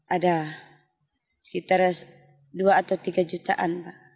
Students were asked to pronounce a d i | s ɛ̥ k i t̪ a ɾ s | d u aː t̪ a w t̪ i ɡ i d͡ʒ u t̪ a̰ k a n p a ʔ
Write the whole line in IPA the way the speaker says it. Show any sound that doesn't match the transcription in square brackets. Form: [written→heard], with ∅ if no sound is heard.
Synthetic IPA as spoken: a d [i→a] | s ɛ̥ k i t̪ a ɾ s | d u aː t̪ a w t̪ i ɡ [i→a] d͡ʒ u t̪ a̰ [k→ʔ] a n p a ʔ

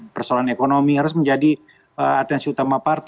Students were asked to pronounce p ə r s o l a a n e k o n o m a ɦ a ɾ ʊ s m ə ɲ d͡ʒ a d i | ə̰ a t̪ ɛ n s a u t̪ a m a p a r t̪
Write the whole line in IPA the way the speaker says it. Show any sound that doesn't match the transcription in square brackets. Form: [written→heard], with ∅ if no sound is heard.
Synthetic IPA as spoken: p ə r s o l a a n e k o n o m [a→i] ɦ a ɾ ʊ s m ə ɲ d͡ʒ a d i | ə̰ a t̪ ɛ n s [a→i] u t̪ a m a p a r t̪

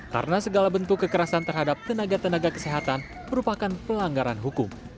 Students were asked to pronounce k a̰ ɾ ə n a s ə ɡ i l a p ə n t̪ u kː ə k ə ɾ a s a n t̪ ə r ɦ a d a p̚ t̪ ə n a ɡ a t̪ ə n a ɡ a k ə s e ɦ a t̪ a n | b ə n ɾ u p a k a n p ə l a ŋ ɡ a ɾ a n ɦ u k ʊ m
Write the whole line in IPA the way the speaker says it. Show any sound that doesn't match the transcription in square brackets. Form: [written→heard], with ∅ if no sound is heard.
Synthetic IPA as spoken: k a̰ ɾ ə n a s ə ɡ [i→a] l a [p→b] ə n t̪ u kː ə k ə ɾ a s a n t̪ ə r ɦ a d a p̚ t̪ ə n a ɡ a t̪ ə n a ɡ a k ə s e ɦ a t̪ a n | [b→m] ə [n→∅] ɾ u p a k a n p ə l a ŋ ɡ a ɾ a n ɦ u k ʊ m

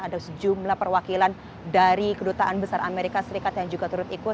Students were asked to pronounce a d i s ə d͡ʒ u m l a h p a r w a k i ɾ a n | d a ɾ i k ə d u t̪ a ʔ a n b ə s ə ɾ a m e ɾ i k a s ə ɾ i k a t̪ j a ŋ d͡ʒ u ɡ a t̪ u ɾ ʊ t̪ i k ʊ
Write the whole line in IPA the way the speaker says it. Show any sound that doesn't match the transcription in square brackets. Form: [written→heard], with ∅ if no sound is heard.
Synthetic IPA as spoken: a d [i→a] s ə d͡ʒ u m l a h p [a→ə] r w a k i [ɾ→l] a n | d a ɾ i k ə d u t̪ a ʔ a n b ə s [ə→a] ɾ a m e ɾ i k a s ə ɾ i k a t̪ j a ŋ d͡ʒ u ɡ a t̪ u ɾ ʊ t̪ i k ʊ

